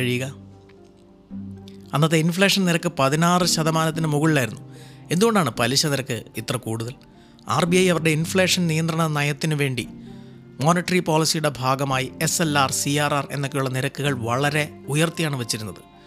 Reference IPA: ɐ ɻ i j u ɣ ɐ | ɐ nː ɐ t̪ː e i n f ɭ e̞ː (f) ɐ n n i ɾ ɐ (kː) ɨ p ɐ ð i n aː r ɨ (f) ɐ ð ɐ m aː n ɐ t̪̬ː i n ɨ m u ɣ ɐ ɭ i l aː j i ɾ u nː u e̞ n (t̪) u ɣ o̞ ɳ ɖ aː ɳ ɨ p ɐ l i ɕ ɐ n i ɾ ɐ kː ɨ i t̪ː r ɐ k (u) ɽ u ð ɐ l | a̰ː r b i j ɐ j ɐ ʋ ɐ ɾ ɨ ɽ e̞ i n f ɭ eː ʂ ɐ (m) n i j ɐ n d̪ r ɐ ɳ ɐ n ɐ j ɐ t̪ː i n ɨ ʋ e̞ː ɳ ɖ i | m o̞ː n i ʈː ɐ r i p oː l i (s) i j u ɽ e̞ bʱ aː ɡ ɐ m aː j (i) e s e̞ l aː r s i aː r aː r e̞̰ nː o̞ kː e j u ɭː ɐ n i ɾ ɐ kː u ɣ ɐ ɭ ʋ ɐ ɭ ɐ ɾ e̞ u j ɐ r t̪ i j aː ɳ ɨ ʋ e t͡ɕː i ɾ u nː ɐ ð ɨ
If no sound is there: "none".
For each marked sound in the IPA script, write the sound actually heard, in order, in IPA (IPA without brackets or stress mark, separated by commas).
ʂ, kː, ɕ, d̪, uː, n, s, i